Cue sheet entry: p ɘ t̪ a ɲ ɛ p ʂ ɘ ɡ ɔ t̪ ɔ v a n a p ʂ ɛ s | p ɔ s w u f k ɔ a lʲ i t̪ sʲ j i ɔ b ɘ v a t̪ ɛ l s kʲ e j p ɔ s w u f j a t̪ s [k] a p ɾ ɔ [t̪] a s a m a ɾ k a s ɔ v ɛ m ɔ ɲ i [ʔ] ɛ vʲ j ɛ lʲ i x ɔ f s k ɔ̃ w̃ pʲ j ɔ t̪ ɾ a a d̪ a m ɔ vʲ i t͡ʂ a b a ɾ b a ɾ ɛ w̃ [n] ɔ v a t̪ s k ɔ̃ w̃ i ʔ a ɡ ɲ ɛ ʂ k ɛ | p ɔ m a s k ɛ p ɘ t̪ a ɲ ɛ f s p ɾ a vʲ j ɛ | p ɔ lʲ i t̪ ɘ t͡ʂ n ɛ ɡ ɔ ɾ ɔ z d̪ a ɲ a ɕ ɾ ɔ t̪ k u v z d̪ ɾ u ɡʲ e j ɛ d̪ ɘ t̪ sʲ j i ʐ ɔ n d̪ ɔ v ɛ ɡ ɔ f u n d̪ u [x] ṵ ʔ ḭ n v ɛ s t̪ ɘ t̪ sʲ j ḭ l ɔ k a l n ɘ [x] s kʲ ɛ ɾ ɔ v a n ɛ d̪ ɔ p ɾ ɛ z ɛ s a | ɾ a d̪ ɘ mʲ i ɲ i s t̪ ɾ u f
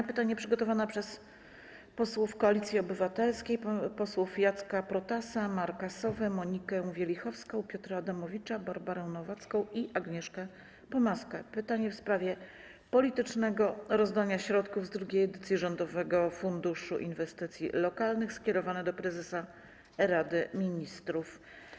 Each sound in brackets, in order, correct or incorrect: correct, correct, incorrect: k, correct, incorrect: ʂ, correct

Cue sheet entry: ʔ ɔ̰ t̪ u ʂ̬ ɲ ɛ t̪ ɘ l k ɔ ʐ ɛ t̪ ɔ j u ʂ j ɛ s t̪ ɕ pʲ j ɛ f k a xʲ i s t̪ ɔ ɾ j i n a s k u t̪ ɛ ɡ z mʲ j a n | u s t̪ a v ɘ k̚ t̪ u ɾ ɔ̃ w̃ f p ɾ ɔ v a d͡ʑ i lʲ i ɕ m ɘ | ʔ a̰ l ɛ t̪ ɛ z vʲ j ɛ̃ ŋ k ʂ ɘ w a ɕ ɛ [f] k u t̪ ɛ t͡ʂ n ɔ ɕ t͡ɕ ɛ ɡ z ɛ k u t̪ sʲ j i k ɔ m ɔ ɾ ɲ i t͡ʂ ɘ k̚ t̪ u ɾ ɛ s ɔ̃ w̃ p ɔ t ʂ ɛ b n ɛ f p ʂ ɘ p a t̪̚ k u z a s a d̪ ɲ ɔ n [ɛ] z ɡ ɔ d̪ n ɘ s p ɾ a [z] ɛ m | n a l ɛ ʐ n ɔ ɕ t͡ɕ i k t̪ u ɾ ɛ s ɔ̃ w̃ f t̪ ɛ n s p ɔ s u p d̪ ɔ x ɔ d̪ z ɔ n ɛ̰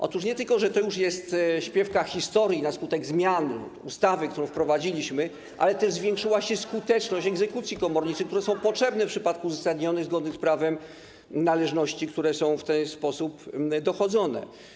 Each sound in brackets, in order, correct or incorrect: incorrect: s, correct, incorrect: v

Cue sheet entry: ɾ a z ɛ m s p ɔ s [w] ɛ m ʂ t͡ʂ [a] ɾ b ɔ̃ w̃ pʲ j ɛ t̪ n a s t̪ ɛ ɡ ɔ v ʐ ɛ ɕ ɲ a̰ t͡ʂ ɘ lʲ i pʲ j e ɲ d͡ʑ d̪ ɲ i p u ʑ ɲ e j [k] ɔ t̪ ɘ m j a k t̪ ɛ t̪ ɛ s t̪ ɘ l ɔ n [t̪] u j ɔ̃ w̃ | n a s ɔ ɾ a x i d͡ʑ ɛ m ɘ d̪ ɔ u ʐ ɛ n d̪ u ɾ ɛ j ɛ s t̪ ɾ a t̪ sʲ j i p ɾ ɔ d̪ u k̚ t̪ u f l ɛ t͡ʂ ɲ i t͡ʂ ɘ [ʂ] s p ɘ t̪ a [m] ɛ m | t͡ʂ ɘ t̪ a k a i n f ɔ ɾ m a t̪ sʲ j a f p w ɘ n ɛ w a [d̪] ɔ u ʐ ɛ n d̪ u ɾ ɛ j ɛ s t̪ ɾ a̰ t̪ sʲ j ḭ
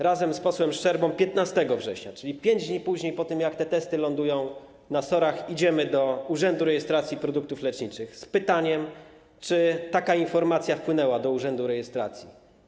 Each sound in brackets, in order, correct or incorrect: correct, incorrect: ɛ, incorrect: p, incorrect: d̪, incorrect: x, incorrect: ɲ, correct

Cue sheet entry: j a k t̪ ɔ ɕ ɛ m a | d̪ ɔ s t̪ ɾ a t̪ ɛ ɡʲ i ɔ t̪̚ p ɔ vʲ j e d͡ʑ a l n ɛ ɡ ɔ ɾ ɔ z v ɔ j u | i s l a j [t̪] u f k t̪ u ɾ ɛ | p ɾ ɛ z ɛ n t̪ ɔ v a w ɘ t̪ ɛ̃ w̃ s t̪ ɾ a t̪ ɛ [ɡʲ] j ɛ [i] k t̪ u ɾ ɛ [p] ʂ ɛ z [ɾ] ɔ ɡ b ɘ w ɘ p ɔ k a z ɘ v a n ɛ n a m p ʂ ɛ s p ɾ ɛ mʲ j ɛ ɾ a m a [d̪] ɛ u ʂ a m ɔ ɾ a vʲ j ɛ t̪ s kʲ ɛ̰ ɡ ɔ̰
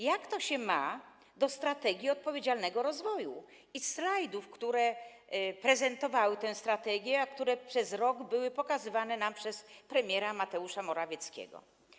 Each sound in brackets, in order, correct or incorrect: incorrect: d̪, correct, incorrect: a, correct, correct, incorrect: t̪

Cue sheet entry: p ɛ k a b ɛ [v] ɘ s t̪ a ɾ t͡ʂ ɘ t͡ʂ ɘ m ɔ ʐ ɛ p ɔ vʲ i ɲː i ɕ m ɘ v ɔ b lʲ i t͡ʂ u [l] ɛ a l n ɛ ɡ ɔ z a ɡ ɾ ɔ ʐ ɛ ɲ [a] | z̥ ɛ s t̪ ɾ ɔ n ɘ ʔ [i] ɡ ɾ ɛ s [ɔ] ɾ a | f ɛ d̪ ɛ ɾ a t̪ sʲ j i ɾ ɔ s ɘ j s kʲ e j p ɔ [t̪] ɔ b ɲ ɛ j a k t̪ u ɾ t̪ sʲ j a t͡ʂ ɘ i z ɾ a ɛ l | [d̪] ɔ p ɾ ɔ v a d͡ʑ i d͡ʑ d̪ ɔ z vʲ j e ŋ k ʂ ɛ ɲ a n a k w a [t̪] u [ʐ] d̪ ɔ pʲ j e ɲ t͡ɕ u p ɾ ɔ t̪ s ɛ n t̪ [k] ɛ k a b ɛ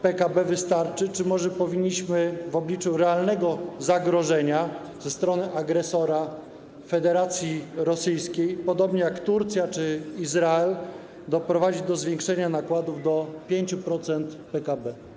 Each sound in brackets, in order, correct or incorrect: correct, incorrect: ɾ, correct, incorrect: a, correct, incorrect: d̪, correct, incorrect: d̪, incorrect: v, incorrect: p

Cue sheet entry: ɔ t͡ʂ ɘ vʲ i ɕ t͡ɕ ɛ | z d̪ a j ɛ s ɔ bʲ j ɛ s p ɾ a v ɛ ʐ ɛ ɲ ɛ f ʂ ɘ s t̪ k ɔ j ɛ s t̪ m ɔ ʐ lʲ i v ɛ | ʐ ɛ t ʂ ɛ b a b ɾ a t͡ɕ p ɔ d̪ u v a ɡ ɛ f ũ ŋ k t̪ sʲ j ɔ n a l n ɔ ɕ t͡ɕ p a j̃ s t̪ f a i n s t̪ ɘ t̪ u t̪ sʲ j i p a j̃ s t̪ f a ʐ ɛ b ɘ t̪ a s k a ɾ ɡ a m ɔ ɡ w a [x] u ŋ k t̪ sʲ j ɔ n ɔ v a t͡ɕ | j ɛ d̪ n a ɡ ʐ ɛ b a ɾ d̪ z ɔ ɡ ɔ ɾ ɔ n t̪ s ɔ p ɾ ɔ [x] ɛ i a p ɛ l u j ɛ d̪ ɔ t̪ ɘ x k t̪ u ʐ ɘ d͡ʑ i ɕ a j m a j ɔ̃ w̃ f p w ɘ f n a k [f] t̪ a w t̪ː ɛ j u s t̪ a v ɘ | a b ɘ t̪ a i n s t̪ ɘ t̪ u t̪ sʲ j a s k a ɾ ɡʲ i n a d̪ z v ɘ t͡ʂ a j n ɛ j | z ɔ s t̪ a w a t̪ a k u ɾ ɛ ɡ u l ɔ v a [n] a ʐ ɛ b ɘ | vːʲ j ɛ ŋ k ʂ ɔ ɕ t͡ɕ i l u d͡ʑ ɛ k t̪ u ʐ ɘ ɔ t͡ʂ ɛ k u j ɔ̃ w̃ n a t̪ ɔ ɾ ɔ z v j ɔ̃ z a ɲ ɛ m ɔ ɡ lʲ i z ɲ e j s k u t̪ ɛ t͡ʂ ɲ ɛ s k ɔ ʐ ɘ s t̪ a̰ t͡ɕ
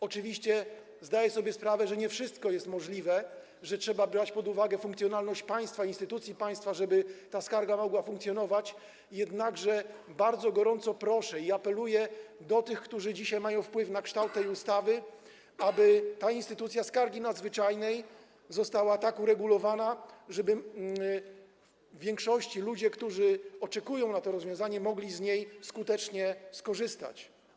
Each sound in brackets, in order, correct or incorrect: incorrect: f, incorrect: ʂ, incorrect: ʂ, correct

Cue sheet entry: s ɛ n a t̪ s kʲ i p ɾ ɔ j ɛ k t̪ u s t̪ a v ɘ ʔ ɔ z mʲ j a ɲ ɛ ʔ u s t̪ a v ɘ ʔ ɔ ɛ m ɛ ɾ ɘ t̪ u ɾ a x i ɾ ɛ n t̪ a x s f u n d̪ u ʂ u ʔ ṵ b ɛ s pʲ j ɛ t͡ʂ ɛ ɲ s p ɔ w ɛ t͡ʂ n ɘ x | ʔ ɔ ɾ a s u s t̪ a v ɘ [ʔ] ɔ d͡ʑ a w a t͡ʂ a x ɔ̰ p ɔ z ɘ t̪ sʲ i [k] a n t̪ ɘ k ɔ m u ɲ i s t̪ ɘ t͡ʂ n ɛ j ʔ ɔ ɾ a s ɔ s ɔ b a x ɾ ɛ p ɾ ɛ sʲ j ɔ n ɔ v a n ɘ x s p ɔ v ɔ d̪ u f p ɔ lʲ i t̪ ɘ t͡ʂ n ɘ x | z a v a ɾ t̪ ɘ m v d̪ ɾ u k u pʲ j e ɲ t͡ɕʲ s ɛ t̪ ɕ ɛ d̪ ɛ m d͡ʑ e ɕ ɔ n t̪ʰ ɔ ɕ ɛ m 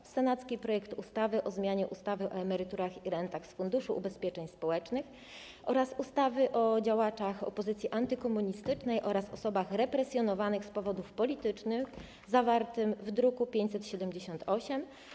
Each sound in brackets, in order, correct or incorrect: correct, incorrect: ʔ

